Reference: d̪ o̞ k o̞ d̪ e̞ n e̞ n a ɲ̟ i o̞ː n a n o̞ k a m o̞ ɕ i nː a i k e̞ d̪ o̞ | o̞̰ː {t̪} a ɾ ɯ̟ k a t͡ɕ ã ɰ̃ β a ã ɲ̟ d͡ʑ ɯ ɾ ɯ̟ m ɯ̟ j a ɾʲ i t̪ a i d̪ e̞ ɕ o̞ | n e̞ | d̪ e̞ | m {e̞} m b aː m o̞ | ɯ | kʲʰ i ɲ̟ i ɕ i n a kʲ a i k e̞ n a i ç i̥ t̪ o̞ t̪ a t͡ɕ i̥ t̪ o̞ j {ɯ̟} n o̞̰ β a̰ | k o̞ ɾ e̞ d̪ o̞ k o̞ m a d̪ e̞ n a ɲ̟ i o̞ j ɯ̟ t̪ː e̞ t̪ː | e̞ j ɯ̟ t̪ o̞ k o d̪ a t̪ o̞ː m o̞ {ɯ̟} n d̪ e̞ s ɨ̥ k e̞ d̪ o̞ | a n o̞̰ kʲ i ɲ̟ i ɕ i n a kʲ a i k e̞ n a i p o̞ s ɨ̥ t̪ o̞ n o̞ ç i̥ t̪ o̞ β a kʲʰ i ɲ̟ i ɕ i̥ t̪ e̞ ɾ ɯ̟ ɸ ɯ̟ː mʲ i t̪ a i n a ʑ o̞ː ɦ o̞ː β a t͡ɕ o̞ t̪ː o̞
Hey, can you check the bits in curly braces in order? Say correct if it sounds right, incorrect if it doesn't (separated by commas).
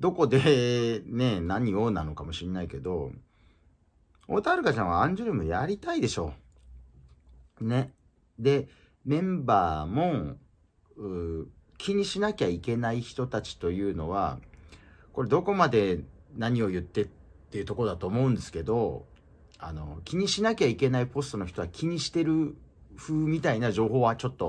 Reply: correct, incorrect, incorrect, incorrect